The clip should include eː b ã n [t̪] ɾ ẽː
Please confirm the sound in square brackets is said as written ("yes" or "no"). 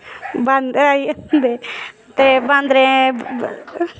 no